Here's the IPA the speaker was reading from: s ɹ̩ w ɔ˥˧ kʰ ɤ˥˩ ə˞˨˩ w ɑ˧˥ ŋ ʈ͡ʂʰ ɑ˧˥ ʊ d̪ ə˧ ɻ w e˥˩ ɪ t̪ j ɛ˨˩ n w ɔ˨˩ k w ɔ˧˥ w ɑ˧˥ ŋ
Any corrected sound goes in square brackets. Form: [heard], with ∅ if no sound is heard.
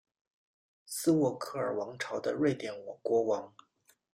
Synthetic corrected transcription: s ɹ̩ w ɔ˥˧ kʰ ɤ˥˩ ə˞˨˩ w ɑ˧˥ ŋ ʈ͡ʂʰ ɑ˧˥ ʊ d̪ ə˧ ɻ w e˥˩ ɪ t̪ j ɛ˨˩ n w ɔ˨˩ k w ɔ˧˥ w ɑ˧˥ ŋ